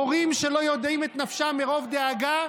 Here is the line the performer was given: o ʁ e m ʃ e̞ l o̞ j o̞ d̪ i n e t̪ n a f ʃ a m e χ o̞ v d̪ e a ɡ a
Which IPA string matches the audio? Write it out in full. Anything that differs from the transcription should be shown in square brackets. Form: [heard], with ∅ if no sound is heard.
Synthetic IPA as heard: o ʁ [i] m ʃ e̞ l o̞ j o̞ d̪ i [m] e t̪ n a f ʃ a m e [ʁ] o̞ v d̪ e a ɡ a